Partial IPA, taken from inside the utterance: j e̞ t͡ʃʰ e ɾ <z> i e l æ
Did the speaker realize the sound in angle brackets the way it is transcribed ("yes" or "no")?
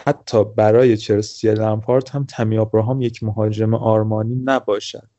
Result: no